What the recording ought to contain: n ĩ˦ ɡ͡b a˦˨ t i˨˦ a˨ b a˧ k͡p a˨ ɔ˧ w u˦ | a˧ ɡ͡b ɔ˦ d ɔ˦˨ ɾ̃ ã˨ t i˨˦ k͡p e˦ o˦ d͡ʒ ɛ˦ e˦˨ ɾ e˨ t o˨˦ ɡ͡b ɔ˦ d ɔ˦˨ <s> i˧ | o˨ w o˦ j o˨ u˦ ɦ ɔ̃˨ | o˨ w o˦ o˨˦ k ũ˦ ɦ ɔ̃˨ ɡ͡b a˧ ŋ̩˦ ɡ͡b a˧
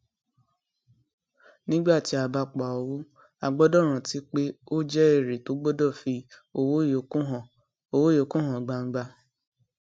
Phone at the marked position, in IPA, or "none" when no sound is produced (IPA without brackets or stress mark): f